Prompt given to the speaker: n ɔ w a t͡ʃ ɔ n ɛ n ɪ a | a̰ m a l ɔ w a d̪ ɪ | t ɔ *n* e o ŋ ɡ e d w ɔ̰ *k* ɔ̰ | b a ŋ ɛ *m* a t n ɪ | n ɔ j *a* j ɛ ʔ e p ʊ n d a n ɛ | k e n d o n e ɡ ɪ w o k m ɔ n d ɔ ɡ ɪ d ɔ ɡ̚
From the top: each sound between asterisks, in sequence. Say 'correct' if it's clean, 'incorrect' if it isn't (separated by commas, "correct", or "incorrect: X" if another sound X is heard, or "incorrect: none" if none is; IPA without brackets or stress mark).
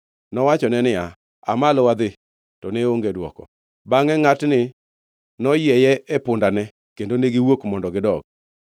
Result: correct, correct, incorrect: ŋ, incorrect: ɛ